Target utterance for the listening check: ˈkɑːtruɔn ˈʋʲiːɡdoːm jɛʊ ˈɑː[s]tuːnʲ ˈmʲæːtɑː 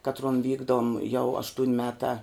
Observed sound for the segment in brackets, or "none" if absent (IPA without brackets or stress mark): ʃ